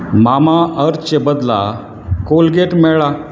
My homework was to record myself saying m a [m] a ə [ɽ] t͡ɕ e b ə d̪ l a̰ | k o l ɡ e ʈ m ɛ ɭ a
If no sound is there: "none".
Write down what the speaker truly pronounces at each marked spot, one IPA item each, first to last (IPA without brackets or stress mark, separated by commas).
m, ɾ